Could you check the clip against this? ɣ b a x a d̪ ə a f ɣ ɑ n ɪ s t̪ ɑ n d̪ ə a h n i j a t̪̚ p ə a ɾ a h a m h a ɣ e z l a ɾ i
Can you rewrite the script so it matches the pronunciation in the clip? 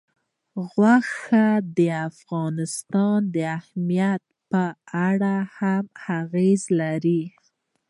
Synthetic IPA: ɣ w a x a d̪ ə a f ɣ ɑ n ɪ s t̪ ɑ n d̪ ə a h m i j a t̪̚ p ə a ɽ a h a m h a ɣ e z l a ɾ i